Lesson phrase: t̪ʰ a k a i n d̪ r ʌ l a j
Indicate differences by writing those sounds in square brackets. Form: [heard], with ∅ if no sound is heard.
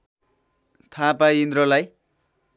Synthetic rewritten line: t̪ʰ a [p] a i n d̪ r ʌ l a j